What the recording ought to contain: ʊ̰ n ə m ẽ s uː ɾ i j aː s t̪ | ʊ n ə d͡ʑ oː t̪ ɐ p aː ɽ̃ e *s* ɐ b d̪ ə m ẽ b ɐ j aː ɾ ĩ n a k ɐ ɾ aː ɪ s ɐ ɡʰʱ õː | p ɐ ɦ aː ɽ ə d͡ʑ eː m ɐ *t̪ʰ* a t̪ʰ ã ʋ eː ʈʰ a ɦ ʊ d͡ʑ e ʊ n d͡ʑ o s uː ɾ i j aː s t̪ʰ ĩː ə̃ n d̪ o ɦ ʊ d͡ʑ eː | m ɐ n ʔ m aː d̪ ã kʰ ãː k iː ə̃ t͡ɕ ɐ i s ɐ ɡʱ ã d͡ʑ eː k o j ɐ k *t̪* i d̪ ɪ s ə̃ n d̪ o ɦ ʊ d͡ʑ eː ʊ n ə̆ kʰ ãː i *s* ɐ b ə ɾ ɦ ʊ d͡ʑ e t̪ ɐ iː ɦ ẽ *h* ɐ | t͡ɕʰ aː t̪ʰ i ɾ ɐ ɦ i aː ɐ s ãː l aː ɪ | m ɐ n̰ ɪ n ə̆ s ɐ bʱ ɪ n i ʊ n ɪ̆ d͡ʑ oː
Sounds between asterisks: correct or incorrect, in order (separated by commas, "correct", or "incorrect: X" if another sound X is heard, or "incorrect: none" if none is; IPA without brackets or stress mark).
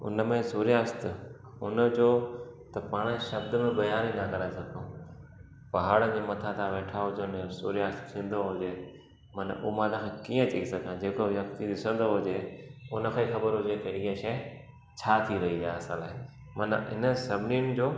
incorrect: ʃ, correct, correct, incorrect: x, incorrect: ʃ